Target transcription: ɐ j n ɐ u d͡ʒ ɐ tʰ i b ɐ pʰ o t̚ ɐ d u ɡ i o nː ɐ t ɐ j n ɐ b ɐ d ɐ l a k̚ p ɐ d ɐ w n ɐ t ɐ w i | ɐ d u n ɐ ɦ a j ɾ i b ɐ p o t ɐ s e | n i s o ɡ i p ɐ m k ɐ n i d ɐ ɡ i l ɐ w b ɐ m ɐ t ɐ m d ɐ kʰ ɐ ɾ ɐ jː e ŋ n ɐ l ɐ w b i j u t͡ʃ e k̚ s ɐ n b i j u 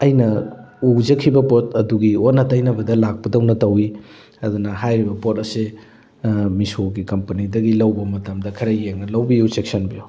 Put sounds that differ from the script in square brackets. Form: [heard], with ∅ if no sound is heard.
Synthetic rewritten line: ɐ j n ɐ u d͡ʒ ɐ [kʰ] i b ɐ [p] o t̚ ɐ d u ɡ i o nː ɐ t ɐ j n ɐ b ɐ d ɐ l a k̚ p ɐ d ɐ w n ɐ t ɐ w i | ɐ d u n ɐ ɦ a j ɾ i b ɐ p o t ɐ s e | [m] i s o ɡ i [k] ɐ m [p] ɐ n i d ɐ ɡ i l ɐ w b ɐ m ɐ t ɐ m d ɐ kʰ ɐ ɾ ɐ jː e ŋ n ɐ l ɐ w b i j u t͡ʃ e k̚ s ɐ n b i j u